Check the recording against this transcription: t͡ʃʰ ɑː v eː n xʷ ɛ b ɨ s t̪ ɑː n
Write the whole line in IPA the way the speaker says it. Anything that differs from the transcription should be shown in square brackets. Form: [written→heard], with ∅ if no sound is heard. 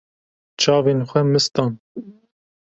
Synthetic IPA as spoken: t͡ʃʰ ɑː v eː n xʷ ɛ [b→m] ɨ s t̪ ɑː n